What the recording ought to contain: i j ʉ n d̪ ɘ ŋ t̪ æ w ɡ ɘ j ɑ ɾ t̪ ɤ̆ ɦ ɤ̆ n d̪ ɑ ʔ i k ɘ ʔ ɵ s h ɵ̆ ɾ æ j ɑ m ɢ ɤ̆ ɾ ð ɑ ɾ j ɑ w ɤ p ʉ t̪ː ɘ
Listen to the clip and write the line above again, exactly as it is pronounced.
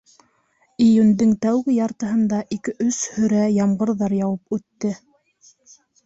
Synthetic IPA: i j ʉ n d̪ ɘ ŋ t̪ æ w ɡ ɘ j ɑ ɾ t̪ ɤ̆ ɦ ɤ̆ n d̪ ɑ ʔ i k ɘ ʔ ɵ s h ɵ̆ ɾ æ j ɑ m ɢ ɤ̆ ɾ ð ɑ ɾ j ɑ w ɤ p ʉ t̪ː ɘ